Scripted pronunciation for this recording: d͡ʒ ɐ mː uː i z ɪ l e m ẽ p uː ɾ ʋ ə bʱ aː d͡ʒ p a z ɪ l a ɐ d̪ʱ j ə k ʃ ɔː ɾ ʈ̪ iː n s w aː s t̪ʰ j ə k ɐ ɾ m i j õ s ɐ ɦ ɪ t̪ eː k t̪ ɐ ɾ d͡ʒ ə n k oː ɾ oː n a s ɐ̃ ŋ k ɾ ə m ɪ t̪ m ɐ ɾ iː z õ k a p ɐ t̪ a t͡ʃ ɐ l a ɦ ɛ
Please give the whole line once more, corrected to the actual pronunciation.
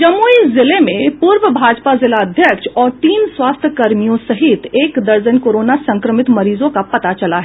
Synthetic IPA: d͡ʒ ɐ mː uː i z ɪ l e m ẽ p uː ɾ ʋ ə bʱ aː d͡ʒ p a z ɪ l a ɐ d̪ʱ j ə k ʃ ɔː ɾ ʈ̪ iː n s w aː s t̪ʰ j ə k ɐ ɾ m i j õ s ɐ ɦ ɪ t̪ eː k d̪ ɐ ɾ d͡ʒ ə n k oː ɾ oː n a s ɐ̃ ŋ k ɾ ə m ɪ t̪ m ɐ ɾ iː z õ k a p ɐ t̪ a t͡ʃ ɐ l a ɦ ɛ